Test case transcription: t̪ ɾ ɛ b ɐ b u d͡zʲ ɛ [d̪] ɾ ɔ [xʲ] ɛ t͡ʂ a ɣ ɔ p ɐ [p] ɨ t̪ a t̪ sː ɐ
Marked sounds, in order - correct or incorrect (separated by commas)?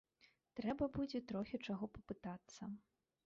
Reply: incorrect, correct, correct